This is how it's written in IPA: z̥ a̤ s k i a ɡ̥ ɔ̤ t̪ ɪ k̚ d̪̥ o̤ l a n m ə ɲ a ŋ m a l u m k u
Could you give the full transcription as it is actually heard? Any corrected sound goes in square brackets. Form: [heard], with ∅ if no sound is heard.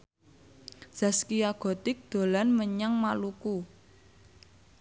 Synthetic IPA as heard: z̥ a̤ s k i a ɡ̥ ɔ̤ t̪ ɪ k̚ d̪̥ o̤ l a n m ə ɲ a ŋ m a l u [∅] k u

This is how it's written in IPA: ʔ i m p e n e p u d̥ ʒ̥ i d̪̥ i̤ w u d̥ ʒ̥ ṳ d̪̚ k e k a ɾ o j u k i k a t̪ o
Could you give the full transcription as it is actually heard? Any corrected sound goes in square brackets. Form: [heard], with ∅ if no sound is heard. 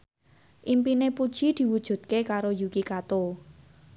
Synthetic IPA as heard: ʔ i m p [i] n e p u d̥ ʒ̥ i d̪̥ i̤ w u d̥ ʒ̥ ṳ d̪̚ k e k a ɾ o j u k i k a t̪ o

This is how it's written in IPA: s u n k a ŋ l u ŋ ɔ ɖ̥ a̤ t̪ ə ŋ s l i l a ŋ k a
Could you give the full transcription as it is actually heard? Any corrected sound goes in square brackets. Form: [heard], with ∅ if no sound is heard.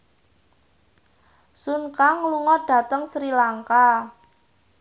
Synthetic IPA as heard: s u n k a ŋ l u ŋ ɔ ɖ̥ a̤ t̪ ə ŋ s [ɾ] i l a ŋ k a

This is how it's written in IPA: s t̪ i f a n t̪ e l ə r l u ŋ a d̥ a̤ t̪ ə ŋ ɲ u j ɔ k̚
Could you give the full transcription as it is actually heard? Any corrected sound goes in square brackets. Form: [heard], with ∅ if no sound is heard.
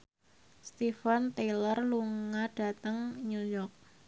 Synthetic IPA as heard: s t̪ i f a n t̪ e l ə r l u ŋ a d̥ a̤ t̪ ə ŋ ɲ u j ɔ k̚

